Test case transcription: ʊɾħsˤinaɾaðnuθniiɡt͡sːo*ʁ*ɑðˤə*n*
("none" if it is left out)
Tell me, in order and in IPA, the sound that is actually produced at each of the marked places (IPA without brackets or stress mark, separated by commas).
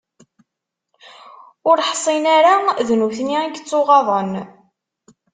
ʁ, n